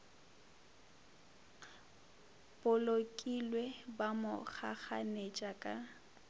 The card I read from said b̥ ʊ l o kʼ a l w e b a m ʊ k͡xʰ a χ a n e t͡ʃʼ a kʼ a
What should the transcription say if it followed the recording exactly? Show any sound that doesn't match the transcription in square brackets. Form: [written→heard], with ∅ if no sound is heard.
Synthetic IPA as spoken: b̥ ʊ l o kʼ [a→i] l w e b a m ʊ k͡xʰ a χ a n e t͡ʃʼ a kʼ a